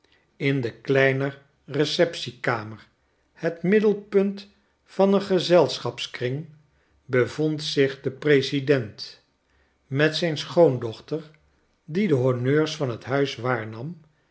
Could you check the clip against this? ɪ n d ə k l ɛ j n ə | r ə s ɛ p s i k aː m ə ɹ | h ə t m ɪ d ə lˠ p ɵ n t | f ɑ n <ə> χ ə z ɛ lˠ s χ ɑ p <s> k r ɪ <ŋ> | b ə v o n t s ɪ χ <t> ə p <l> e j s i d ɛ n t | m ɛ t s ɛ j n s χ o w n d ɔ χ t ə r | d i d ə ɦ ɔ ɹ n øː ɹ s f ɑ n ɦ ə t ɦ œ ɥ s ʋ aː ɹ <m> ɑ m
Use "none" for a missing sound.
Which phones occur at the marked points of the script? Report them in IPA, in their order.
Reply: ə, s, ŋ, d, r, n

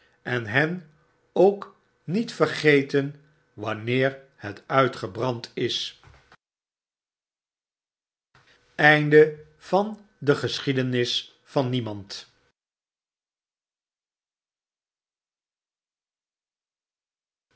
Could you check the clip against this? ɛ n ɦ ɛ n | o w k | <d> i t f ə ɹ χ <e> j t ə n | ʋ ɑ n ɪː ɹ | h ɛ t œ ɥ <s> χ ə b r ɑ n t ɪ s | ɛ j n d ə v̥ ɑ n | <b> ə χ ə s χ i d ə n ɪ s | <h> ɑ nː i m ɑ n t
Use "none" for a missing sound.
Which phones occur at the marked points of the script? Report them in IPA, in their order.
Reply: n, e, t, d, f

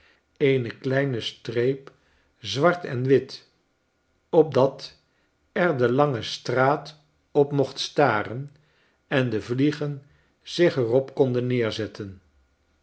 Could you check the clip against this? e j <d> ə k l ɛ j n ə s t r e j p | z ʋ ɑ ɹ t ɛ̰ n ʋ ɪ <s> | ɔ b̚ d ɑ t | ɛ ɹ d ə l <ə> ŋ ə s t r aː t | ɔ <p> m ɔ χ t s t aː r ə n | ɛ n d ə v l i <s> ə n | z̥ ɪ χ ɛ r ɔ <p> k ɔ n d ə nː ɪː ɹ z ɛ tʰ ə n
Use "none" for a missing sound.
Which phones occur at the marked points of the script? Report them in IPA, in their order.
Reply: n, t, ɑ, p, χ, p

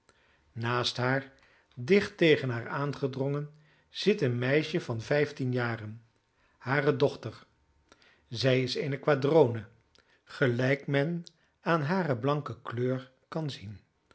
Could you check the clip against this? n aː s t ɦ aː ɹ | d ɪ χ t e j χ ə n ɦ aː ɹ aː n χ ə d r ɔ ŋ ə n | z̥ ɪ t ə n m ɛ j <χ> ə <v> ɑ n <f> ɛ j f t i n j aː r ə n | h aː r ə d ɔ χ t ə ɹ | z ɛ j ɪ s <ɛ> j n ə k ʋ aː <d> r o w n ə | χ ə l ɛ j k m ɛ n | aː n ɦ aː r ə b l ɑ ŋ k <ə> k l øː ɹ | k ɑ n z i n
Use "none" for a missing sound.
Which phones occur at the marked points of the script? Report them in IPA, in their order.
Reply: ʃ, v, v, e, d, ə

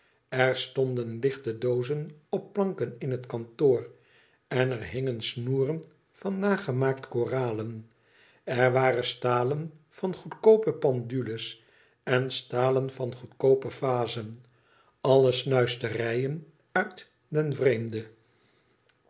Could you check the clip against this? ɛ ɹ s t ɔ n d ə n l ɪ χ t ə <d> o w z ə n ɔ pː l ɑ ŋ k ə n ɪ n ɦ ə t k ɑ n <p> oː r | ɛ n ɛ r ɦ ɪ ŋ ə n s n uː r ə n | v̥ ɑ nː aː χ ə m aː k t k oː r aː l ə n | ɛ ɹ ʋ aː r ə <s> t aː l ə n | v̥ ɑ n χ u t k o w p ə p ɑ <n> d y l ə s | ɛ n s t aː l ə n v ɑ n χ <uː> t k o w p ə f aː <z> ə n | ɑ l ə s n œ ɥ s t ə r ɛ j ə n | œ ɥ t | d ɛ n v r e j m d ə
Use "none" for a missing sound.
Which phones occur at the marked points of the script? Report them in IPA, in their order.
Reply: d, t, s, n, u, z

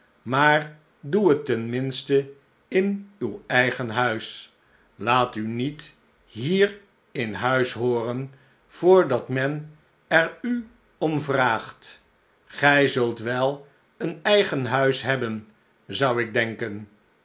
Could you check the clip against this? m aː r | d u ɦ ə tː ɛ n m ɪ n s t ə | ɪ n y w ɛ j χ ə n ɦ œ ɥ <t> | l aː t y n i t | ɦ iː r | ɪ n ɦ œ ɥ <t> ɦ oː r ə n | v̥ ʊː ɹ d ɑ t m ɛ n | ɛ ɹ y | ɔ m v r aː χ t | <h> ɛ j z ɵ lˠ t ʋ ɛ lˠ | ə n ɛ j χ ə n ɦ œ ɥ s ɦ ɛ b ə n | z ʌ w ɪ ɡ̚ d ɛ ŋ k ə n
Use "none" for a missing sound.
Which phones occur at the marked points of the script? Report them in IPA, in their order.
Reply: s, s, χ

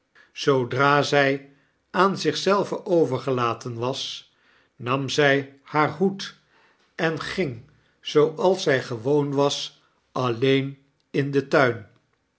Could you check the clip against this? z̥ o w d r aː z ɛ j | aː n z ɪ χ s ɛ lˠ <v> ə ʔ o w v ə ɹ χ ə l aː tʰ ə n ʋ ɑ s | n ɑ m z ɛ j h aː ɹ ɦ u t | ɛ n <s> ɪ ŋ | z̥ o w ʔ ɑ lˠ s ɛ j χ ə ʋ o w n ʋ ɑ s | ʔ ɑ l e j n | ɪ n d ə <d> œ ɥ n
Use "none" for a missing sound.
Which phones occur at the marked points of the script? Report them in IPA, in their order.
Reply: v, χ, t

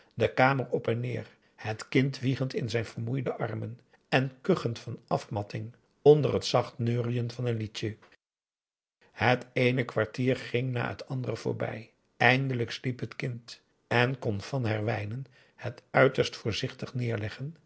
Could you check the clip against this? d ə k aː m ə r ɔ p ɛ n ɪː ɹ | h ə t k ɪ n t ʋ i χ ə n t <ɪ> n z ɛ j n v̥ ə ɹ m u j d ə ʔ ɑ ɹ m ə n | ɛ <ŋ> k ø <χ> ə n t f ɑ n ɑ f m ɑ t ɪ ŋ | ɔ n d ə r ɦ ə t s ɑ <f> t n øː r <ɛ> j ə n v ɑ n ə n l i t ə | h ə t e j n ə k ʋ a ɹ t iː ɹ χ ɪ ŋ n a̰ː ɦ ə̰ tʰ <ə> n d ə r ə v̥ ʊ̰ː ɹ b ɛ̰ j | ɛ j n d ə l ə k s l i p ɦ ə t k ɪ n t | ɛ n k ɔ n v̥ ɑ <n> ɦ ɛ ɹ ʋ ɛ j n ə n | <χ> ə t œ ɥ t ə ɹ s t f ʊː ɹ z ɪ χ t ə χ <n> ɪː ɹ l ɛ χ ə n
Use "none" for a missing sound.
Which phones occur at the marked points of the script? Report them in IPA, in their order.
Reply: ɪ, n, χ, χ, i, ɑ, n, h, n

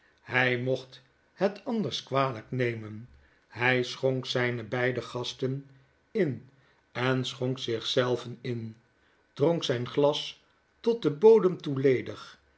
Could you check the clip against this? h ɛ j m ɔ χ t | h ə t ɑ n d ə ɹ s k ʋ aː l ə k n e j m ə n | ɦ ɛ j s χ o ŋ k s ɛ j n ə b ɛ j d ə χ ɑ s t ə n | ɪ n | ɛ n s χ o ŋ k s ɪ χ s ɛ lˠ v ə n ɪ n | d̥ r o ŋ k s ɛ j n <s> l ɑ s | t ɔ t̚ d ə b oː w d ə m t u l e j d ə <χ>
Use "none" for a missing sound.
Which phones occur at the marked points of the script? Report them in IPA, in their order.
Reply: χ, χ

